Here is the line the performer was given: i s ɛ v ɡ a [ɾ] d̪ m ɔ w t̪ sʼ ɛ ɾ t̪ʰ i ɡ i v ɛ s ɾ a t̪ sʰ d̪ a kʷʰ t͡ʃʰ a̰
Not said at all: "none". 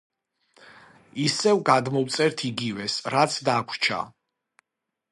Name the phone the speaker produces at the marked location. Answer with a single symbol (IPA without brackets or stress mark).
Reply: none